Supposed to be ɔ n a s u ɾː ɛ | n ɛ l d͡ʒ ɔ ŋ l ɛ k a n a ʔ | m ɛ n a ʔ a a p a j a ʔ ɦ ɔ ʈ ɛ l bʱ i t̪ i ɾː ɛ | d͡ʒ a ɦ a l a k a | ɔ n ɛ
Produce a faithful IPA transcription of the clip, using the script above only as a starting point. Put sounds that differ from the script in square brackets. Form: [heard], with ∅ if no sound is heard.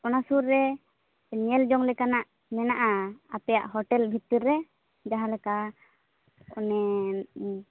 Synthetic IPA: ɔ n a s u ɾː ɛ | [ɲ] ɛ l d͡ʒ ɔ ŋ l ɛ k a n a ʔ | m ɛ n a ʔ a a p [ɛ] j a ʔ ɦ ɔ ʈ ɛ l bʱ i t̪ i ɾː ɛ | d͡ʒ a ɦ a l [ɛ] k a | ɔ n ɛ